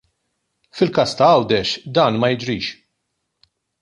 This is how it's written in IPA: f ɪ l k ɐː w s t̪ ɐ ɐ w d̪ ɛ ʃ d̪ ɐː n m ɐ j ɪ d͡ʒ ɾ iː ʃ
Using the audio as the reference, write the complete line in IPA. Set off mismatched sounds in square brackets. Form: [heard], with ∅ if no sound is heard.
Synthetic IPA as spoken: f ɪ l k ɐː [∅] s t̪ ɐ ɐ w d̪ ɛ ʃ d̪ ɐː n m ɐ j ɪ d͡ʒ ɾ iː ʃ